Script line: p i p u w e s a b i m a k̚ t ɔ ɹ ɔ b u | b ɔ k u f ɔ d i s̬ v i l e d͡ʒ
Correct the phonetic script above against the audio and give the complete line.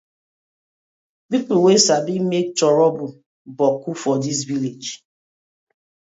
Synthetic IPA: p i p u w e s a b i m e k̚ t ɔ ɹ ɔ b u | b ɔ k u f ɔ d i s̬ v i l e d͡ʒ